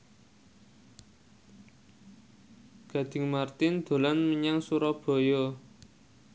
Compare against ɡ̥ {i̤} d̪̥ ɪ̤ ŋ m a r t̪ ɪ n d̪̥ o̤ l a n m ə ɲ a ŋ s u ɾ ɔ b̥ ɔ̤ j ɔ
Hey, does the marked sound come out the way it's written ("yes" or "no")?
no